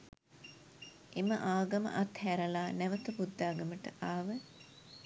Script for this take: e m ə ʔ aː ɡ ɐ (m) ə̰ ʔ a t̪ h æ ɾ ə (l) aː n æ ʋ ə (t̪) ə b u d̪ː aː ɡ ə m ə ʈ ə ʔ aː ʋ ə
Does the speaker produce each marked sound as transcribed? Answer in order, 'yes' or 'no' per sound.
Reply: yes, yes, yes

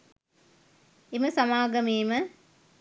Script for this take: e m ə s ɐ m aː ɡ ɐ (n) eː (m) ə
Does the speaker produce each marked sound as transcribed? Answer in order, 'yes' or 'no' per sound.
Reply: no, yes

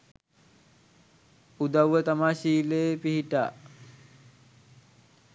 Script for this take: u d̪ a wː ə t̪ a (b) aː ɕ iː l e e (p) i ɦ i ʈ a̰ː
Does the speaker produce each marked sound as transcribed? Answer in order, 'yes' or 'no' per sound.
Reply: no, yes

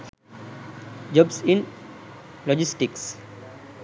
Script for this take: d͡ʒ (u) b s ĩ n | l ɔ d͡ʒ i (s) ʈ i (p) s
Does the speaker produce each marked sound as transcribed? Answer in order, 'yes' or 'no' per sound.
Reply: no, yes, no

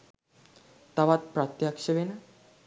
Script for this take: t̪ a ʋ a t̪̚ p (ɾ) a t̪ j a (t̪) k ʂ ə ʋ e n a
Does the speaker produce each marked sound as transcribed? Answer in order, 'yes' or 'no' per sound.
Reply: yes, no

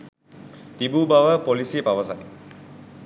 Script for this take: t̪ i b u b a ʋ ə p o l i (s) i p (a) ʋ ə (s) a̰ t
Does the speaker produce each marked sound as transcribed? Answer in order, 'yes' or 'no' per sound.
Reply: yes, yes, yes

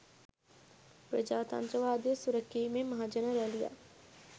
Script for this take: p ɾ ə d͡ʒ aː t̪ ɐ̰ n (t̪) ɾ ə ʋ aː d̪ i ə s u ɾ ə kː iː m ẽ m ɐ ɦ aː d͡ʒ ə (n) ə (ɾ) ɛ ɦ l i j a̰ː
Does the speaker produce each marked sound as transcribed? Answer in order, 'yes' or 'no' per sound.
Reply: yes, yes, yes

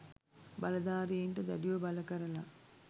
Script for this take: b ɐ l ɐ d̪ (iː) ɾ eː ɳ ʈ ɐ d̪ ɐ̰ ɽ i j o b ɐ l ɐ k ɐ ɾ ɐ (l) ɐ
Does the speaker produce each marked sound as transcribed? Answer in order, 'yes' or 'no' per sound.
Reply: no, yes

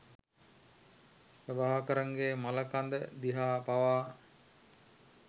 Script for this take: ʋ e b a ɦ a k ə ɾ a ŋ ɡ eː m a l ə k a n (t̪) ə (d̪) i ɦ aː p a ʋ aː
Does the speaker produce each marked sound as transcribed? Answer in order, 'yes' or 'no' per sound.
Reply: no, yes

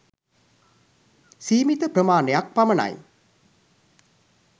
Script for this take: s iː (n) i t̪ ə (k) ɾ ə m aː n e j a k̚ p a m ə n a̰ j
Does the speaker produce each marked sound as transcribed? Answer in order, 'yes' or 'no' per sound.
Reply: no, no

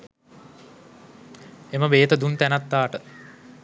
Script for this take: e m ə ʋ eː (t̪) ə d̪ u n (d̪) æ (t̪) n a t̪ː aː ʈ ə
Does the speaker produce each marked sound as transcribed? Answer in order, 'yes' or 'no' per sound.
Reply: yes, no, no

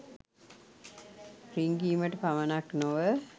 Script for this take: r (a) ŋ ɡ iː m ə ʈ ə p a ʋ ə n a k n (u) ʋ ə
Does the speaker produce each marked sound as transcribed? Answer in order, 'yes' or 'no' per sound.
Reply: no, no

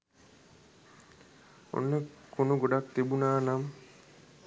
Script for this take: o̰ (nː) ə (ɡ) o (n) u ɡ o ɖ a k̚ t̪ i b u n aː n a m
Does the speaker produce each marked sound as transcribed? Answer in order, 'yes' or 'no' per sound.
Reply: yes, no, yes

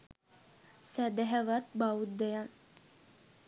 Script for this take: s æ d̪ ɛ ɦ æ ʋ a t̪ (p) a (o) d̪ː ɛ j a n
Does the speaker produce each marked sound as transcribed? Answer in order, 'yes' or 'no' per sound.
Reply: no, no

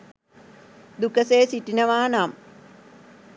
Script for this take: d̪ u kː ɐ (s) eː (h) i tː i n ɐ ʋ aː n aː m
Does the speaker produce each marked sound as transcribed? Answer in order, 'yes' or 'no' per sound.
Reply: yes, no

